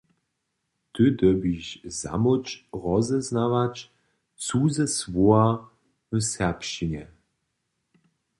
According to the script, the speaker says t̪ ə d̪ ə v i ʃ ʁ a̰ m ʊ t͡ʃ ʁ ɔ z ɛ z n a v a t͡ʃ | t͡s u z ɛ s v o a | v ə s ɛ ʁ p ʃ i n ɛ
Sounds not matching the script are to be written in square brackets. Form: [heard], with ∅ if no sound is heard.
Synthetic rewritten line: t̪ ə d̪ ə [b] i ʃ [z] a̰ m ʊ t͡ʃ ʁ ɔ z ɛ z n a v a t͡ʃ | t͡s u z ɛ s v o a | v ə s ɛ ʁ p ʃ i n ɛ